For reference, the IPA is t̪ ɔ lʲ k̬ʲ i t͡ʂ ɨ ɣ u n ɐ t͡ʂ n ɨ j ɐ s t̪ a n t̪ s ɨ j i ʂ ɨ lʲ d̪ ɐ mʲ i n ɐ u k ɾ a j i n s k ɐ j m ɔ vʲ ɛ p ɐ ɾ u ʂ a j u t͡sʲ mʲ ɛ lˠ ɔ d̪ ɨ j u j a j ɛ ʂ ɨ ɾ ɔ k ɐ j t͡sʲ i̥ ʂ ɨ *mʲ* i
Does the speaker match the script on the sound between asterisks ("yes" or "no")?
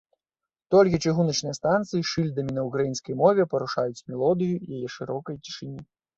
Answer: no